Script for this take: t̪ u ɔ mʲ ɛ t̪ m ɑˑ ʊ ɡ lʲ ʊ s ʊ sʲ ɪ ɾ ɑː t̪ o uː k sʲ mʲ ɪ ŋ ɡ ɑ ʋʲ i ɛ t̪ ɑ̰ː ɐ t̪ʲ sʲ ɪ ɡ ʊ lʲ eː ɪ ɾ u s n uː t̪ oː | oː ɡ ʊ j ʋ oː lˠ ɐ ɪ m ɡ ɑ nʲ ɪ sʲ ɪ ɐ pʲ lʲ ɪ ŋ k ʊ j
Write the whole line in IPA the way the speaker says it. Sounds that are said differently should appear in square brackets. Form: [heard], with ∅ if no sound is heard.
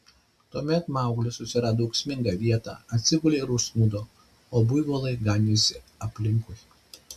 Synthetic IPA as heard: t̪ u ɔ mʲ ɛ t̪ m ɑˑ ʊ ɡ lʲ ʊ s ʊ sʲ ɪ ɾ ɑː [d̪] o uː k sʲ mʲ ɪ ŋ ɡ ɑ ʋʲ i ɛ t̪ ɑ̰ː ɐ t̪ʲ sʲ ɪ ɡ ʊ lʲ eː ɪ ɾ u s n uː [d̪] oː | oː [b] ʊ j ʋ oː lˠ ɐ ɪ [∅] ɡ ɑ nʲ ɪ sʲ ɪ ɐ pʲ lʲ ɪ ŋ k ʊ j